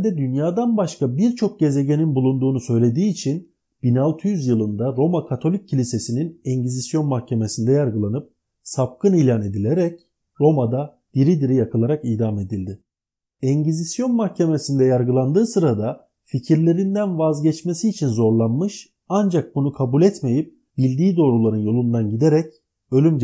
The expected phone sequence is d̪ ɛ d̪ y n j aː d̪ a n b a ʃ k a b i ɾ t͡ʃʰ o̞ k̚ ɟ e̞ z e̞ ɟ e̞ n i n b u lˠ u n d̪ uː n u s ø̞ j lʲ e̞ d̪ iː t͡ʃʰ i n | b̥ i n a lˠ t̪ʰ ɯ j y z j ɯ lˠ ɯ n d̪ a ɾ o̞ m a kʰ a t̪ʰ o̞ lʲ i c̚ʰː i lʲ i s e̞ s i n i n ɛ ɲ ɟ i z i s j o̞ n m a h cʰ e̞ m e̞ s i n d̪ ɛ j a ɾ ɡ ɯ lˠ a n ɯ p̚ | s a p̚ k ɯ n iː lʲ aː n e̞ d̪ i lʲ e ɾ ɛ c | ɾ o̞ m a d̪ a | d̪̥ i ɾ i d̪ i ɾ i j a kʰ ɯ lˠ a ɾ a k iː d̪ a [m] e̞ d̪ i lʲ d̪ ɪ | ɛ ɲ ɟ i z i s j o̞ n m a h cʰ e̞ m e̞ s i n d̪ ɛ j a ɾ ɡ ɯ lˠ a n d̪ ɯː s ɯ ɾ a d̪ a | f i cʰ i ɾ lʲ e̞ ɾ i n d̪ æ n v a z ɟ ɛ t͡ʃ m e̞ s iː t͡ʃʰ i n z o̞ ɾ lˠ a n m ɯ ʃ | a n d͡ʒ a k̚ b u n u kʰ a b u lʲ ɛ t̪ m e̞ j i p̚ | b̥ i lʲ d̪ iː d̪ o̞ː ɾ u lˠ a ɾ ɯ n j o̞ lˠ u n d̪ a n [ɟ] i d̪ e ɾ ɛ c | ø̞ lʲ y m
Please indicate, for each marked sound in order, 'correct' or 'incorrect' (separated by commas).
correct, correct